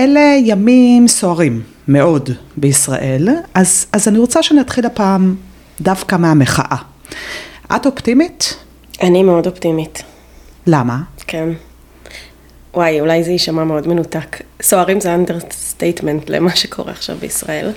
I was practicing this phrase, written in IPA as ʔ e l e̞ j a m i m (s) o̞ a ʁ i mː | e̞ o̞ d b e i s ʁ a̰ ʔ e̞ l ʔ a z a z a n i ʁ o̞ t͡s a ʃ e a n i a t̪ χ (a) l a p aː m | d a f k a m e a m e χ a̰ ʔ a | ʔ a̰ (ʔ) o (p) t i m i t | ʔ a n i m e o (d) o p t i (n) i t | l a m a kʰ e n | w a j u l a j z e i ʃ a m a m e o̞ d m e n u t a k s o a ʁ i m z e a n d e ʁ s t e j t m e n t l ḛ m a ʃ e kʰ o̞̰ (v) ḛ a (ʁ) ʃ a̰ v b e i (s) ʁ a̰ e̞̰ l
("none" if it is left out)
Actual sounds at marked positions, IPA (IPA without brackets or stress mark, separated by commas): s, i, t, p, d, m, ʁ, χ, s